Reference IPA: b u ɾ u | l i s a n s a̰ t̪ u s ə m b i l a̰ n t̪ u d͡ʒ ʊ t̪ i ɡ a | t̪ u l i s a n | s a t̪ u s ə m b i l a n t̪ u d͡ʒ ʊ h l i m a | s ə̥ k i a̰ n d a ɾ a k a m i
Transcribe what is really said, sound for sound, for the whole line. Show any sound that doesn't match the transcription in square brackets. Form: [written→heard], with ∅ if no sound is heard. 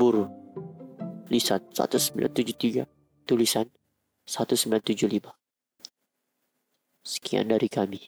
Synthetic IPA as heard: b u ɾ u | l i s a n s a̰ t̪ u s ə m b i l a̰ n t̪ u d͡ʒ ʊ t̪ i ɡ a | t̪ u l i s a n | s a t̪ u s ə m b i l a n t̪ u d͡ʒ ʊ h l i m a | s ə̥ k i a̰ n d a ɾ [a→i] k a m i